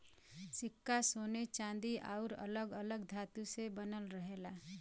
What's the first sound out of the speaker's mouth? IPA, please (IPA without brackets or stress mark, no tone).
s